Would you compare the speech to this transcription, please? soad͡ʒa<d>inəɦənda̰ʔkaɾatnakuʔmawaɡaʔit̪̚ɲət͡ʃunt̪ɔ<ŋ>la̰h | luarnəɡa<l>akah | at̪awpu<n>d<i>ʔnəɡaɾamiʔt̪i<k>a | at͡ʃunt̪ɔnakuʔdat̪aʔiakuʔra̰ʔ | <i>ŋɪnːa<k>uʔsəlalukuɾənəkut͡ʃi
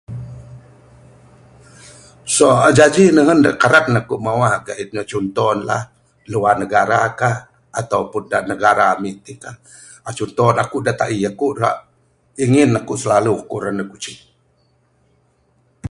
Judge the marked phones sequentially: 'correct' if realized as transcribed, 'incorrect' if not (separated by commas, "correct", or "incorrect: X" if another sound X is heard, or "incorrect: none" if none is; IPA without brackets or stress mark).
incorrect: d͡ʒ, incorrect: n, incorrect: ɾ, correct, incorrect: a, correct, correct, correct